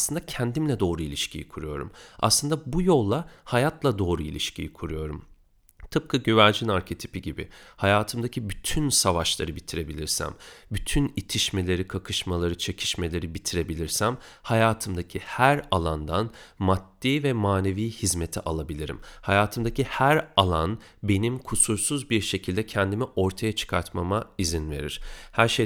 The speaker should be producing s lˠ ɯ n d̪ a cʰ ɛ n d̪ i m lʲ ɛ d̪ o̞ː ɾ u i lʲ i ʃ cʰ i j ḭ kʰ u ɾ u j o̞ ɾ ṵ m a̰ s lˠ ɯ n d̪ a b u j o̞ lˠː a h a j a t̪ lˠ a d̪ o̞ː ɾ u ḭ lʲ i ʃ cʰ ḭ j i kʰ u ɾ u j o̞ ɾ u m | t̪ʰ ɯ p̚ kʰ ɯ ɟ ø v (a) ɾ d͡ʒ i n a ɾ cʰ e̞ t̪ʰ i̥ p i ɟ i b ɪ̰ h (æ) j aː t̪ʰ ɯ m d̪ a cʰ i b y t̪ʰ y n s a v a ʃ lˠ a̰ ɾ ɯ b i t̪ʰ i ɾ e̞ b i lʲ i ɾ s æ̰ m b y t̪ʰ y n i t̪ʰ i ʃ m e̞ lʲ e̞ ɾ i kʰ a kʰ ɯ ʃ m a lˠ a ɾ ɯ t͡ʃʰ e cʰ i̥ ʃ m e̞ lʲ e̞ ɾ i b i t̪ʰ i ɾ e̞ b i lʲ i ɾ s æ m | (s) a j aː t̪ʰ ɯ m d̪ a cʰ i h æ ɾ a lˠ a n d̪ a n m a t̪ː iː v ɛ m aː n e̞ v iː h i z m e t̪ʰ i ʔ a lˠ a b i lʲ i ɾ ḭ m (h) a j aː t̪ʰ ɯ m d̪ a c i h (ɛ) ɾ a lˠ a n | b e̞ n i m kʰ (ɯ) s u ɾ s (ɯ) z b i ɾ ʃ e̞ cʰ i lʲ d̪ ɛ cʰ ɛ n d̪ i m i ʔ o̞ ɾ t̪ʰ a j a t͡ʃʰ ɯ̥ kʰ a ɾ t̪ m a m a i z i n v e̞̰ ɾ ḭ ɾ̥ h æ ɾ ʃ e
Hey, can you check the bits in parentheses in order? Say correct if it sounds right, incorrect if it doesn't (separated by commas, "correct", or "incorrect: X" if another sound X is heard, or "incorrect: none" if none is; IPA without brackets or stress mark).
incorrect: æ, incorrect: a, incorrect: h, correct, incorrect: æ, incorrect: u, incorrect: u